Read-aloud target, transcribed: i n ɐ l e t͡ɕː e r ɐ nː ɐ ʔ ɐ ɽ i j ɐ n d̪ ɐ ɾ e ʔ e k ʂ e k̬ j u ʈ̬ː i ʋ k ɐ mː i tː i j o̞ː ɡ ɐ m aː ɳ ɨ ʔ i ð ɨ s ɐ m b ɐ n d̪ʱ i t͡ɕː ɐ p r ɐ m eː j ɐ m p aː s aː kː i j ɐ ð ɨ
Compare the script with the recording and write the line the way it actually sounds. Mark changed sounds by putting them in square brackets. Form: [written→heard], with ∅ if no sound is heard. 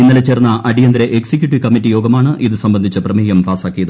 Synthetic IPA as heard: i [n→nː] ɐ l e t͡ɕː e r ɐ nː ɐ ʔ ɐ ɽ i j ɐ n d̪ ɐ ɾ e ʔ e k [ʂ→s] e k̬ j u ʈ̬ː i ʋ k ɐ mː i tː i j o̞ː ɡ ɐ m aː ɳ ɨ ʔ i ð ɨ s ɐ m b ɐ n d̪ʱ i t͡ɕː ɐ p r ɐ m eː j ɐ m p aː s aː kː i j ɐ ð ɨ